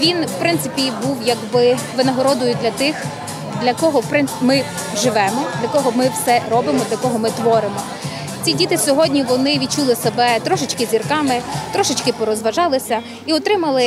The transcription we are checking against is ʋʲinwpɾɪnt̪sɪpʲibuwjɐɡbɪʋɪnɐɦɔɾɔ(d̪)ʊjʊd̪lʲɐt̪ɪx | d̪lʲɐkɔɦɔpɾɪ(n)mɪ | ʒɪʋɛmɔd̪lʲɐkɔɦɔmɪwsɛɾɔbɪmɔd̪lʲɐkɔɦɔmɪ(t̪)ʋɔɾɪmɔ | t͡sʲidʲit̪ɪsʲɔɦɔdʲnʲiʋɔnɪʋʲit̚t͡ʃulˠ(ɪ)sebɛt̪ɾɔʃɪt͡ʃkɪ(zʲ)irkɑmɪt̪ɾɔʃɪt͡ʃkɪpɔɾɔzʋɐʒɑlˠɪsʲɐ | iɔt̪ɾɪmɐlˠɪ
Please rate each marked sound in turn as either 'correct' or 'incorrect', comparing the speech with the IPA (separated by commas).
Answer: correct, correct, correct, correct, correct